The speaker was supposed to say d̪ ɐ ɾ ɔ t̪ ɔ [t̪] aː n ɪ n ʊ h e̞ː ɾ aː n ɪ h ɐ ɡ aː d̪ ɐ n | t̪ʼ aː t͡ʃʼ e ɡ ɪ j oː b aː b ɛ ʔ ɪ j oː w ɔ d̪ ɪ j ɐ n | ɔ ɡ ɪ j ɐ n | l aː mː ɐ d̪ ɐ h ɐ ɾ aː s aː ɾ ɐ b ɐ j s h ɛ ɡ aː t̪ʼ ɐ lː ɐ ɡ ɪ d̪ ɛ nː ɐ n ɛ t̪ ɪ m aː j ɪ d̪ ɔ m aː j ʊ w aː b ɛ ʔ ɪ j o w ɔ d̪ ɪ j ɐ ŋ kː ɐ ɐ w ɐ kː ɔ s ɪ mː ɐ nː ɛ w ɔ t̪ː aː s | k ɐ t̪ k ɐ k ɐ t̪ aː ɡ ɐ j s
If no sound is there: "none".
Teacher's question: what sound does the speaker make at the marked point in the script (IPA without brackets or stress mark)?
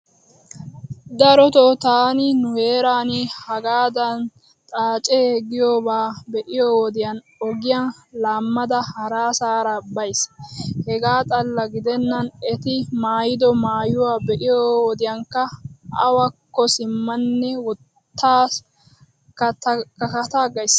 t̪